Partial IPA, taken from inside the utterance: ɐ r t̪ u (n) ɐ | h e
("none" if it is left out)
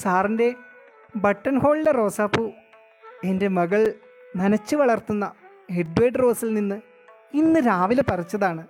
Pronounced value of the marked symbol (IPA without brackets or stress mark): nː